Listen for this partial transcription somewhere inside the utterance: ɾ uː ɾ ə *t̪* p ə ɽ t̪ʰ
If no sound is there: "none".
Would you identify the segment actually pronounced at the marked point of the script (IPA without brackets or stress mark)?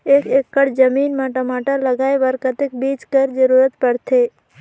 t̪